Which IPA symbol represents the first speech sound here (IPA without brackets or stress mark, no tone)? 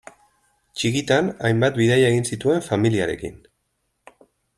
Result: t͡ʃ